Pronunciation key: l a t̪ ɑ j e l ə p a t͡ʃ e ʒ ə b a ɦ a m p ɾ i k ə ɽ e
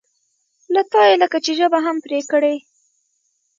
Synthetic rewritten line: l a t̪ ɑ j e l ə k a t͡ʃ e ʒ ə b a ɦ a m p ɾ e k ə ɽ e